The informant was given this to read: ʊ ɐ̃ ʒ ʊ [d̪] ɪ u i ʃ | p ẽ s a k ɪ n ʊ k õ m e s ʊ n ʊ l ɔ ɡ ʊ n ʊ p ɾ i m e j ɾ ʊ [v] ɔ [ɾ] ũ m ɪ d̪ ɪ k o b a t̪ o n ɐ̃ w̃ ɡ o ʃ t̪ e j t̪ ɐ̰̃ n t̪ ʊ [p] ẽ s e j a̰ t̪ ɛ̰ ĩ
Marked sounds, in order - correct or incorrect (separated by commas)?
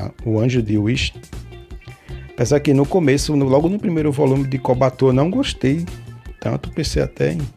correct, correct, incorrect, correct